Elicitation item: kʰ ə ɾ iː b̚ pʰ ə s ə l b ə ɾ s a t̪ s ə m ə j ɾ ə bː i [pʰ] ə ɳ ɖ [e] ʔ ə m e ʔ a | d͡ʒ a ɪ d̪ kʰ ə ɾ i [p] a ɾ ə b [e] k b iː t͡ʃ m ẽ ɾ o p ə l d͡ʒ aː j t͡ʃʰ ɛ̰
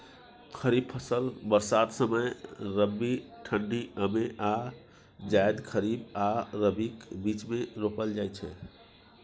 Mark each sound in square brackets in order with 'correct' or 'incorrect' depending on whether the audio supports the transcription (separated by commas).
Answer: incorrect, incorrect, incorrect, incorrect